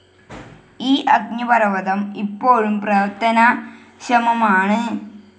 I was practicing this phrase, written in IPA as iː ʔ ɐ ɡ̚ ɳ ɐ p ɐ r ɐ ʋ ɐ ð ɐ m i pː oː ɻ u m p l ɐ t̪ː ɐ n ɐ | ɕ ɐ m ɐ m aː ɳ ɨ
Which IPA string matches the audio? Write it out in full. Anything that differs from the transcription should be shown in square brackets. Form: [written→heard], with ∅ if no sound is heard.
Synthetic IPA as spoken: iː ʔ ɐ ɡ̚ [ɳ→ɲ] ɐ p ɐ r ɐ ʋ ɐ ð ɐ m i pː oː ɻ u m p [l→r] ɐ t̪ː ɐ n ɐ | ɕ ɐ m ɐ m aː ɳ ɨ

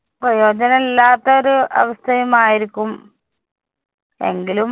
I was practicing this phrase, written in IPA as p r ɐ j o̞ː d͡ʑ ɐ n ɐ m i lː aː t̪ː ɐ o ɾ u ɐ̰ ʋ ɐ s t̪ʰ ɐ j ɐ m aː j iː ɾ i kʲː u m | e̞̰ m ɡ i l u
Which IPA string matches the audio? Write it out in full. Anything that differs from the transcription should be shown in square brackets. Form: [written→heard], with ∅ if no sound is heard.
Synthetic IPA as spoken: p r ɐ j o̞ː d͡ʑ ɐ n ɐ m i lː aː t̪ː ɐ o ɾ u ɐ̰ ʋ ɐ s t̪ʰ ɐ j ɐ m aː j [iː→i] ɾ i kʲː u m | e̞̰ [m→ŋ] ɡ i l u

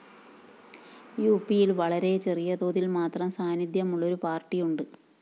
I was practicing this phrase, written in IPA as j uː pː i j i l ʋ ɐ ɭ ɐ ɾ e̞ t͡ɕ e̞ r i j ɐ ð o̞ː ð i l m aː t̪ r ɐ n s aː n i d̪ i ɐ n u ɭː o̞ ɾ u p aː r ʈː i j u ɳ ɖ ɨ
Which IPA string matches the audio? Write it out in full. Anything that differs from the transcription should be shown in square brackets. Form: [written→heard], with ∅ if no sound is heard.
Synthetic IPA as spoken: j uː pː i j i l ʋ ɐ ɭ ɐ ɾ e̞ t͡ɕ e̞ r i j ɐ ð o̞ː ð i l m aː t̪ r ɐ [n→m] s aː n i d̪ [i→j] ɐ [n→m] u ɭː o̞ ɾ u p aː r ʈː i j u ɳ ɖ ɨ

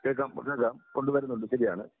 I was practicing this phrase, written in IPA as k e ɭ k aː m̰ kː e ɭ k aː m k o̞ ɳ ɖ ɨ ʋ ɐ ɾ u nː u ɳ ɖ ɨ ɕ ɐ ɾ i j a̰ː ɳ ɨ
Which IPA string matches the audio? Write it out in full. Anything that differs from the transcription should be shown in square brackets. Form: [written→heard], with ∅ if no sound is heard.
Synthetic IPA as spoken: k e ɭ k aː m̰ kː e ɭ k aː m k o̞ ɳ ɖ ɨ ʋ ɐ ɾ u nː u ɳ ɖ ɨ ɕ ɐ ɾ i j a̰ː ɳ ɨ

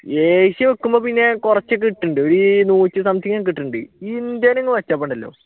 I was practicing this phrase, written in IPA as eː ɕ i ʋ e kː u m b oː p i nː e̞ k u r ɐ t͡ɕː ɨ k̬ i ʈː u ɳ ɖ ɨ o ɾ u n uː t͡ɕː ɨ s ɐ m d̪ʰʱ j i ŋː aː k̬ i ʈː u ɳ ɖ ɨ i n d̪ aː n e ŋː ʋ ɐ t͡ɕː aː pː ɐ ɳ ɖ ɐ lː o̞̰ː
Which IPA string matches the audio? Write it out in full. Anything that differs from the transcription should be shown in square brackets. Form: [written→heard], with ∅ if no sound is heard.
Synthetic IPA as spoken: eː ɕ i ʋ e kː u m b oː p i nː e̞ k u r ɐ t͡ɕː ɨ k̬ i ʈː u ɳ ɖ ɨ o ɾ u n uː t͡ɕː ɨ s ɐ m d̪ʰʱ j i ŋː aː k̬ i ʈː u ɳ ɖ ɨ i n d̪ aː n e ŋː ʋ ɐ t͡ɕː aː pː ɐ ɳ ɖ ɐ lː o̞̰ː

